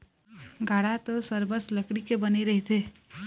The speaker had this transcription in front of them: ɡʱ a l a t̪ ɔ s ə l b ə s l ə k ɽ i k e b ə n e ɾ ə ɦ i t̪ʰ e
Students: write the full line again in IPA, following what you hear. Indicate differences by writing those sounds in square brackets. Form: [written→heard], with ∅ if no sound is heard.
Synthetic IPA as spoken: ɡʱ a [l→ɽ] a t̪ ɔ s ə [l→ɾ] b ə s l ə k ɽ i k e b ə n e ɾ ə ɦ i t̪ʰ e